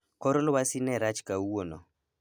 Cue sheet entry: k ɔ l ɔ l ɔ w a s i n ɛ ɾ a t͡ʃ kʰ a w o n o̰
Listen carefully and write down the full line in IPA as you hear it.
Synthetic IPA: k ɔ ɾ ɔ l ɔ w a s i n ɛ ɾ a t͡ʃ k a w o n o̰